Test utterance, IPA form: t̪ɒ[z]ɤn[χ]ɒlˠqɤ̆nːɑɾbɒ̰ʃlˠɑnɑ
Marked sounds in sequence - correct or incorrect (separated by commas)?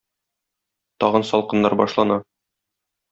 incorrect, incorrect